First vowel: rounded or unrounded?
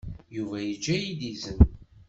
rounded